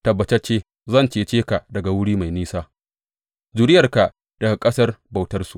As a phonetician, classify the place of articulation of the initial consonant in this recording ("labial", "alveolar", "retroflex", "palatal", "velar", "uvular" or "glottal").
alveolar